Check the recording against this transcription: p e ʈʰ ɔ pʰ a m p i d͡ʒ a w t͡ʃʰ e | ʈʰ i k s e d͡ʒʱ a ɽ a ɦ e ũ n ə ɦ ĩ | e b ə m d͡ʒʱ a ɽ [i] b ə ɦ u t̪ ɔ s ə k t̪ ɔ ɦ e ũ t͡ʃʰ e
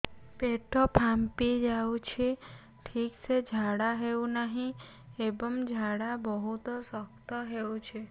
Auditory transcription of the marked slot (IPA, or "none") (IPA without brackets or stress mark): a